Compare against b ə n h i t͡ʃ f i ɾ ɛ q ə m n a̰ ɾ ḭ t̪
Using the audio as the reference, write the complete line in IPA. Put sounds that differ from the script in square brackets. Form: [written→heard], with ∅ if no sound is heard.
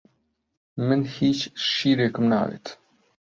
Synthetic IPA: [b→m] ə n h i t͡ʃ [f→ʃ] i ɾ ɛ [q→k] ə m n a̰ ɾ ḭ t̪

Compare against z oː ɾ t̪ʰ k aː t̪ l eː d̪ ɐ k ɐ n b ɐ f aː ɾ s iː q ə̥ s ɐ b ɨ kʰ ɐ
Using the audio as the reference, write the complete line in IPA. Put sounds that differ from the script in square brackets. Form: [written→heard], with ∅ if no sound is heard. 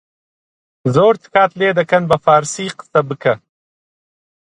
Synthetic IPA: z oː ɾ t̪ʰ k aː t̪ l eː d̪ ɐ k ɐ n b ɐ f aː ɾ s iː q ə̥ s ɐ b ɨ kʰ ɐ

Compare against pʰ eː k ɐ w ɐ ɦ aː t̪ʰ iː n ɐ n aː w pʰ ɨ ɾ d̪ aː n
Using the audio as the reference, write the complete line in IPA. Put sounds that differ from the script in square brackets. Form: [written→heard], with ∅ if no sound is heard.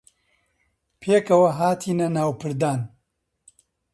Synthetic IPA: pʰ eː k ɐ w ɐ ɦ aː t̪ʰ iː n ɐ n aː w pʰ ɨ ɾ d̪ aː n

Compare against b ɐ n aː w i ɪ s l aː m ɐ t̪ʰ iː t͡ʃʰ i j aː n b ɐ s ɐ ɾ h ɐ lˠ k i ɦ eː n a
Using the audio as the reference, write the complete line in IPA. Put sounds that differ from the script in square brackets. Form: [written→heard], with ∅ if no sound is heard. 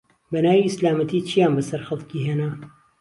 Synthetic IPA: b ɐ n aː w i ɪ s l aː m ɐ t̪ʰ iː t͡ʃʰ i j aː n b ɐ s ɐ ɾ [h→x] ɐ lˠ k i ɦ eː n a

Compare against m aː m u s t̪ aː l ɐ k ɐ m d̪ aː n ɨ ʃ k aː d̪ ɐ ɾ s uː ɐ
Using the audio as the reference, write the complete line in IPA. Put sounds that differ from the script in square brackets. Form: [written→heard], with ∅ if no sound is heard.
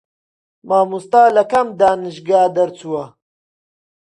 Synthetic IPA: m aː m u s t̪ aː l ɐ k ɐ m d̪ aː n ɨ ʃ [k→ɡ] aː d̪ ɐ ɾ [s→t͡s] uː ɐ

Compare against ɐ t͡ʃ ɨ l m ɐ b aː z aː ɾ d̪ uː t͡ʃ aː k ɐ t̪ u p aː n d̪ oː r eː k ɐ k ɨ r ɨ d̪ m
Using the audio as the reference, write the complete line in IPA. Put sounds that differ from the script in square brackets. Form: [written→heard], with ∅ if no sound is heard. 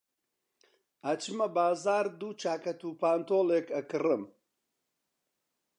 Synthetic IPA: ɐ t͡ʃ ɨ [l→∅] m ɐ b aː z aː ɾ d̪ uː t͡ʃ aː k ɐ t̪ u p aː n [d̪→t̪] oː [r→l] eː k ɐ k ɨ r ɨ [d̪→∅] m

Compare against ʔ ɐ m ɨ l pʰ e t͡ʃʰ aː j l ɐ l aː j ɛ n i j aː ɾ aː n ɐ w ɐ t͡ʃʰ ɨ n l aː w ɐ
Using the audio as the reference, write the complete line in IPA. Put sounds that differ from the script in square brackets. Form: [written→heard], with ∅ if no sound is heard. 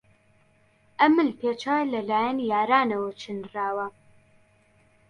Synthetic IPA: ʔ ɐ m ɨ l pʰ e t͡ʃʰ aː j l ɐ l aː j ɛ n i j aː ɾ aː n ɐ w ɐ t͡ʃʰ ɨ n [l→r] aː w ɐ

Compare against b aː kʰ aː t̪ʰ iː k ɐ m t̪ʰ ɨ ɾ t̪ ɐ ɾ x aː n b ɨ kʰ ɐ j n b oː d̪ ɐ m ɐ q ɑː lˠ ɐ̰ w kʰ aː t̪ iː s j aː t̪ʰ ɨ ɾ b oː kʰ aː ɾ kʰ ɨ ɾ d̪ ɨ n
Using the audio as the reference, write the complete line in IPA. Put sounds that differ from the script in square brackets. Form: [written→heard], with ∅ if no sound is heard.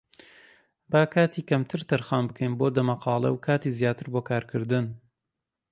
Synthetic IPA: b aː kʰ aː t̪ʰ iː k ɐ m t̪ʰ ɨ ɾ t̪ ɐ ɾ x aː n b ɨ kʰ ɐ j n b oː d̪ ɐ m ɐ q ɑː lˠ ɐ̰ w kʰ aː t̪ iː [s→z] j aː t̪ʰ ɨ ɾ b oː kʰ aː ɾ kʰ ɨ ɾ d̪ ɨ n

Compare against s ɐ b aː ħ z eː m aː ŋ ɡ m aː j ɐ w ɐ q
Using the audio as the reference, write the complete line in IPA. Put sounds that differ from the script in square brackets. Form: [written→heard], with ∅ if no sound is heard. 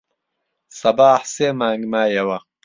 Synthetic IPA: s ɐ b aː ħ [z→s] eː m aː ŋ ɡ m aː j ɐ w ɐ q

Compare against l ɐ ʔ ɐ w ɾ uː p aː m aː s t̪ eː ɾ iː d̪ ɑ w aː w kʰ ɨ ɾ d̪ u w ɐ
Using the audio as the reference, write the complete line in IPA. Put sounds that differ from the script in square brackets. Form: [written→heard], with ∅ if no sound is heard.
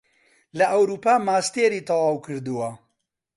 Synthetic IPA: l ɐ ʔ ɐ w ɾ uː p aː m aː s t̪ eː ɾ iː [d̪→t̪] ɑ w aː w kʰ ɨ ɾ d̪ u w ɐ

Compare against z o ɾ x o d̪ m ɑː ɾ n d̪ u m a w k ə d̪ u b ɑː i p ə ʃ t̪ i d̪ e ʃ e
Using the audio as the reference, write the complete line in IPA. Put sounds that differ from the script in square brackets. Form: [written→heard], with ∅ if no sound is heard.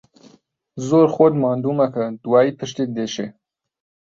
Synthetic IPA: z o ɾ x o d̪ m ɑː [ɾ→∅] n d̪ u m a [w→∅] k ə d̪ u [b→w] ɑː i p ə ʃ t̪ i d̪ e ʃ e

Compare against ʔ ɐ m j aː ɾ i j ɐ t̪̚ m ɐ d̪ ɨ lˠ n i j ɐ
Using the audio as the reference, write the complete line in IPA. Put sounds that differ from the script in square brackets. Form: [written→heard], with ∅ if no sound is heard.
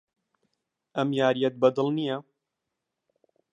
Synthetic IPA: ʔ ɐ m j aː ɾ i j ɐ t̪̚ [m→b] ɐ d̪ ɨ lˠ n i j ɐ

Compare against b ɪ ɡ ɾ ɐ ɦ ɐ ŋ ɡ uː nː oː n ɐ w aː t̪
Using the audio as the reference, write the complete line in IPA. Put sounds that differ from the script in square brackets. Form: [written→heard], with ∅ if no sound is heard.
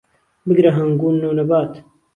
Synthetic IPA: b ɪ ɡ ɾ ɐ ɦ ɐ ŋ ɡ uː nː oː n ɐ [w→b] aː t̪

